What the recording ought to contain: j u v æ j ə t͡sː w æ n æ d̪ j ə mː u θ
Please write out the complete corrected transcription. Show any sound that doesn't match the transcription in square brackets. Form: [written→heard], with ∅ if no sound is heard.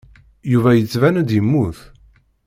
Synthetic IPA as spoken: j u v æ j ə t͡sː [w→v] æ n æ d̪ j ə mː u θ

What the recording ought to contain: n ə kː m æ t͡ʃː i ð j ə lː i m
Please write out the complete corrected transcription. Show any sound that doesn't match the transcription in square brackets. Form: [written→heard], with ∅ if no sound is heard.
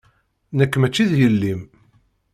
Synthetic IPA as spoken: n ə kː m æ t͡ʃː i ð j ə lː i m

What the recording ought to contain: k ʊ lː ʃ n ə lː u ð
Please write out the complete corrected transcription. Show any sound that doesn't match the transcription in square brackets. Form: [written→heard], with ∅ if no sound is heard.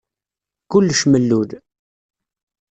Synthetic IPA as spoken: k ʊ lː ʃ [n→m] ə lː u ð

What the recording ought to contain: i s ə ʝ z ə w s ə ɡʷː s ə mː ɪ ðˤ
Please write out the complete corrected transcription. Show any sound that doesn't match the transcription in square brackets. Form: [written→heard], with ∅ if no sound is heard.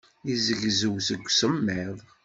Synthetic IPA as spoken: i [s→z] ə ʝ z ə w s ə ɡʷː s ə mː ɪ ðˤ

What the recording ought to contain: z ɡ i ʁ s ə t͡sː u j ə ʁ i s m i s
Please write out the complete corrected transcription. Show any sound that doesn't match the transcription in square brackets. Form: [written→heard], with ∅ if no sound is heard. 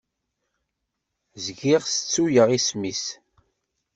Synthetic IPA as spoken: z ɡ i ʁ s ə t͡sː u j ə ʁ i s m i s

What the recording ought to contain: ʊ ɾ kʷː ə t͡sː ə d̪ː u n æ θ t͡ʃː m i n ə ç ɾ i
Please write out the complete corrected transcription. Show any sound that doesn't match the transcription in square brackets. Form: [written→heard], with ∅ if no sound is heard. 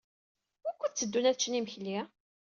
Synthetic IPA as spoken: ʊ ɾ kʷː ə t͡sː ə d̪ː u n æ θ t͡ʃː [m→n] i [n→m] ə ç [ɾ→l] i

